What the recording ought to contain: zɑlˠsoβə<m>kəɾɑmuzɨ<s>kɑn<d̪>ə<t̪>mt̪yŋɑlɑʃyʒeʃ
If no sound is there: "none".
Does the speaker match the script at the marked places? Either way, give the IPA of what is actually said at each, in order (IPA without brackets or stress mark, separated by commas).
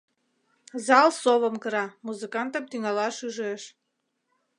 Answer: m, none, t̪, none